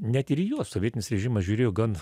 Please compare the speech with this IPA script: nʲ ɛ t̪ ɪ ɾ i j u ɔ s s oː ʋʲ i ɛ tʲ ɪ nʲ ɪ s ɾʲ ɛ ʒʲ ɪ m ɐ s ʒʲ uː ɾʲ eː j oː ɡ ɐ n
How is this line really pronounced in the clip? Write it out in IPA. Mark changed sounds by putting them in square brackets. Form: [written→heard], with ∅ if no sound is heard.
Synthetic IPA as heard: nʲ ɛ t̪ ɪ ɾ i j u ɔ s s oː ʋʲ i ɛ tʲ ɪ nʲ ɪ s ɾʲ ɛ ʒʲ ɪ m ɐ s ʒʲ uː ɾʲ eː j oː ɡ ɐ n